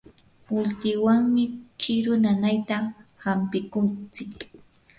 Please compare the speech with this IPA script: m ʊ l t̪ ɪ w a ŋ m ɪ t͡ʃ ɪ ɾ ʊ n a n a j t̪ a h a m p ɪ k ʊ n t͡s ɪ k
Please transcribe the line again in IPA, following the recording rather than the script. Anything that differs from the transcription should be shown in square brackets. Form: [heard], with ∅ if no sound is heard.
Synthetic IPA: m ʊ l t̪ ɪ w a ŋ m ɪ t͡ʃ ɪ ɾ ʊ n a n a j t̪ a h a m p ɪ k ʊ n t͡s ɪ k